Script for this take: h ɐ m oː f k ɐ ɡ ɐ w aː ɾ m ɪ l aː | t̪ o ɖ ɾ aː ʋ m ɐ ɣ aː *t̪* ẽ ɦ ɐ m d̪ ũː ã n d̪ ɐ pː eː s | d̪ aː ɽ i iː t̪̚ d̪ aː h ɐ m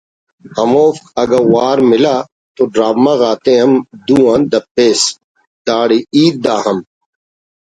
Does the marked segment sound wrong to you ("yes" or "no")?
no